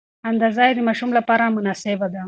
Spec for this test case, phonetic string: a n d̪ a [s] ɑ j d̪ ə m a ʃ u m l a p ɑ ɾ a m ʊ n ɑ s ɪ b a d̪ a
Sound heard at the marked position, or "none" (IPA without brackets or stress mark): z